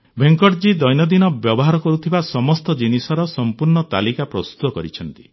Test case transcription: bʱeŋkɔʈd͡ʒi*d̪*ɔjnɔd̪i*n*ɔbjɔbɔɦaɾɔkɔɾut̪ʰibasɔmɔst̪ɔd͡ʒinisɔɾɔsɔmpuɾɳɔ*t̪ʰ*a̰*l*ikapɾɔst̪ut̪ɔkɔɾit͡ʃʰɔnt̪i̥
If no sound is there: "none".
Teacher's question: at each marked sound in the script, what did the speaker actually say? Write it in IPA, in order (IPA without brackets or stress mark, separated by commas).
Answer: d̪, n, t̪, l